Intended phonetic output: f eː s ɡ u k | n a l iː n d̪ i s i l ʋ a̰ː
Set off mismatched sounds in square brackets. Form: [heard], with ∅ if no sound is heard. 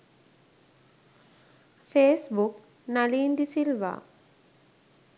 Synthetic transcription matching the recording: f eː s [b] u k | n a l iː n d̪ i s i l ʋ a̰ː